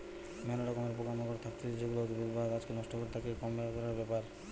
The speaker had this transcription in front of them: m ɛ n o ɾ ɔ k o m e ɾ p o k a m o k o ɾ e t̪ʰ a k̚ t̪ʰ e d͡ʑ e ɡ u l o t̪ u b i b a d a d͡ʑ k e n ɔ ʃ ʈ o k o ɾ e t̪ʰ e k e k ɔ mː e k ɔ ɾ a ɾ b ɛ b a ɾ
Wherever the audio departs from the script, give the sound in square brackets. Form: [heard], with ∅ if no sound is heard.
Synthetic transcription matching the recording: m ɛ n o ɾ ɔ k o m e ɾ p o k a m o k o ɾ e t̪ʰ a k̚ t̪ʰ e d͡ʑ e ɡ u l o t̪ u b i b a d a d͡ʑ k e n ɔ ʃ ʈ o k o ɾ e t̪ʰ [a] k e k ɔ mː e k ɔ ɾ a ɾ b ɛ [p] a ɾ